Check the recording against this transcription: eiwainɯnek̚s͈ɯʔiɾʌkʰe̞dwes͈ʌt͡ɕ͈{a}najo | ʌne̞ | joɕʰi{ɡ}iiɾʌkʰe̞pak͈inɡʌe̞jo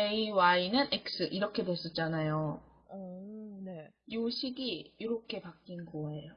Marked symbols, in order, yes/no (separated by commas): yes, yes